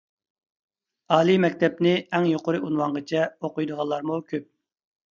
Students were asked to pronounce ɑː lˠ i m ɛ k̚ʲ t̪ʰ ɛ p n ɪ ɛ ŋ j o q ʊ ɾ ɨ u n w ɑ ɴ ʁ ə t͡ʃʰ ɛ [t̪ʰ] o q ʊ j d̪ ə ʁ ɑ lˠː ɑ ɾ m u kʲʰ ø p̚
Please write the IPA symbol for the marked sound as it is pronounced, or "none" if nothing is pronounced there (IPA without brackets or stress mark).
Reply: none